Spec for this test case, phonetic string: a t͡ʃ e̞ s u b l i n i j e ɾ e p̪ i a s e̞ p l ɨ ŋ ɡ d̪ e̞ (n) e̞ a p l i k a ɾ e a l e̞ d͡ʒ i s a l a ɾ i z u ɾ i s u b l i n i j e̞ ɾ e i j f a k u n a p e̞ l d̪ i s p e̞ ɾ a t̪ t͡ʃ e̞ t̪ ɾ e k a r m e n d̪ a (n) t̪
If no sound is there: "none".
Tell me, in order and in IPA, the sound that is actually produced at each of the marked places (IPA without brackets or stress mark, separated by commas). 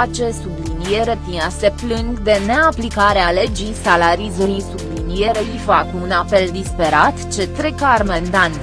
n, n